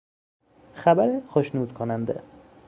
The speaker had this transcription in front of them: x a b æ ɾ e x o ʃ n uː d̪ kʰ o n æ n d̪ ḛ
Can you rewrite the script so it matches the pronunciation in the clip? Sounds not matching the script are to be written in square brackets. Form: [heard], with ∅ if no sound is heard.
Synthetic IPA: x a b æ ɾ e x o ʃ n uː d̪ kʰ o n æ n d̪ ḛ